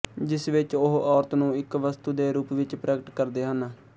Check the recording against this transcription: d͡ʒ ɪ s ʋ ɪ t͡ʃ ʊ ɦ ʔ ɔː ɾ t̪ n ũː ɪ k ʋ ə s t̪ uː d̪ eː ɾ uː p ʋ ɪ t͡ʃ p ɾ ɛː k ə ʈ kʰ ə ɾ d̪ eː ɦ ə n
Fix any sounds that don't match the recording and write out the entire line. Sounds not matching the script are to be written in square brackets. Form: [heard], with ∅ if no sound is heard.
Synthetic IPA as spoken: d͡ʒ ɪ s ʋ ɪ t͡ʃ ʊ ɦ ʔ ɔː ɾ t̪ n ũː ɪ k ʋ ə s t̪ uː d̪ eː ɾ uː p ʋ ɪ t͡ʃ p ɾ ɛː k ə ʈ [k] ə ɾ d̪ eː ɦ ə n